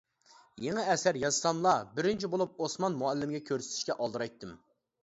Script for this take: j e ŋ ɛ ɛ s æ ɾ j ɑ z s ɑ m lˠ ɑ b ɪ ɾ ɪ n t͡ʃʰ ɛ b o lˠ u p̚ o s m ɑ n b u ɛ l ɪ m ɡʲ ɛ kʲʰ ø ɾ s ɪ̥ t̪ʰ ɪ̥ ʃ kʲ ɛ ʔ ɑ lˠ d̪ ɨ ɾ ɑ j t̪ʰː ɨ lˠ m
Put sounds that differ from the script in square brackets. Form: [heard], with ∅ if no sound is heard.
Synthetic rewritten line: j e ŋ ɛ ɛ s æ ɾ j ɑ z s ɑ m lˠ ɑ b ɪ ɾ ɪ n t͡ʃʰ [i] b o lˠ u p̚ o s m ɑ n [m] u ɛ [lː] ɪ m ɡʲ ɛ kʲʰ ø ɾ s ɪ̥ t̪ʰ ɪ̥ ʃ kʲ ɛ ʔ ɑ lˠ d̪ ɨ ɾ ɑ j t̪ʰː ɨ [∅] m